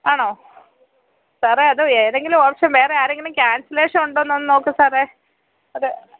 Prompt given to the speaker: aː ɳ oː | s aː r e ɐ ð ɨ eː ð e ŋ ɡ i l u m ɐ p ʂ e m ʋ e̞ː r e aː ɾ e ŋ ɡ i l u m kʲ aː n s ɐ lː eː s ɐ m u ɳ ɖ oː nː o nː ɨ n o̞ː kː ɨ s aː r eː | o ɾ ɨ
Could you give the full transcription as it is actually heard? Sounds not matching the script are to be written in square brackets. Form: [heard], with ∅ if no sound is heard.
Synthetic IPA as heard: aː ɳ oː | s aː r e ɐ ð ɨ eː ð e ŋ ɡ i l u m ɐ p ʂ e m ʋ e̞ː r e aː ɾ e ŋ ɡ i l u m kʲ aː n s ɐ [l] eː [ʂ] ɐ m u ɳ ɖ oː nː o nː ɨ n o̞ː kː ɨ s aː r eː | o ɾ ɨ